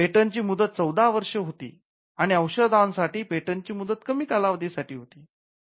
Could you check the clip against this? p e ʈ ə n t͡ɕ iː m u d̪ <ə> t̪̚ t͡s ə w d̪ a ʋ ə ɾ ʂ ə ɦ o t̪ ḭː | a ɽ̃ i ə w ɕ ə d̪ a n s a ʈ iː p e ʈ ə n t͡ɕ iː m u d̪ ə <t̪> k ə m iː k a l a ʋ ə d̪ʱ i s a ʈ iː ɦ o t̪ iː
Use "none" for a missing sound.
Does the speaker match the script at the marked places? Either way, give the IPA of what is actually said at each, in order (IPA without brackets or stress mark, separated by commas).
ə, t̪